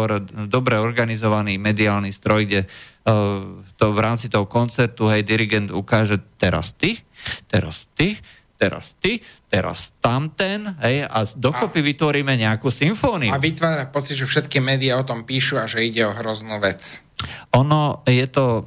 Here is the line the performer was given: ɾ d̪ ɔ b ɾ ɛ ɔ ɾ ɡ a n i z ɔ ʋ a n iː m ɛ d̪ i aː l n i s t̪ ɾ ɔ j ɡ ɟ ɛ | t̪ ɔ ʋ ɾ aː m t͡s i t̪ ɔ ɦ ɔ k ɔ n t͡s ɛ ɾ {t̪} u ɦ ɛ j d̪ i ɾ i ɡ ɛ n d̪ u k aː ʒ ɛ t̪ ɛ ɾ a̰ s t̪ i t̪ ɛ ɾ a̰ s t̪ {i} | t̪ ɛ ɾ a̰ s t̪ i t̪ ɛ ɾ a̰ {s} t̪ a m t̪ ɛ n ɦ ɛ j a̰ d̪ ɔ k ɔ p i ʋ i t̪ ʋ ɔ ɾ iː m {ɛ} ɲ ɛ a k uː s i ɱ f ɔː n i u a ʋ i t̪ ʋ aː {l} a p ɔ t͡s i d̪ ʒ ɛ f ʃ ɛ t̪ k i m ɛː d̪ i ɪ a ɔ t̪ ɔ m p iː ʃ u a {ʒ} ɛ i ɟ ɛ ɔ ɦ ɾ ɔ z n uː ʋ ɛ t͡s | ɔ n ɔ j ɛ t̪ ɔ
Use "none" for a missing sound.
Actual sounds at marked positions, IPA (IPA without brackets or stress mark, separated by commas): t̪, i, s, ɛ, ɾ, ʒ